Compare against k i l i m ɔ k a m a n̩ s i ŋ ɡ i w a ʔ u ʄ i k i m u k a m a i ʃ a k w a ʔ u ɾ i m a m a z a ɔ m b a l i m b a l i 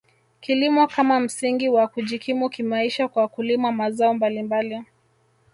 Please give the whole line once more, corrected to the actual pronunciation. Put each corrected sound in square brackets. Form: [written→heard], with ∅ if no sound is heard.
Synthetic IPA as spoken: k i l i m ɔ k a m a [n̩→m̩] s i ŋ ɡ i w a [ʔ→k] u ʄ i k i m u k [a→i] m a i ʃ a k w a [ʔ→k] u [ɾ→l] i m a m a z a ɔ m b a l i m b a l i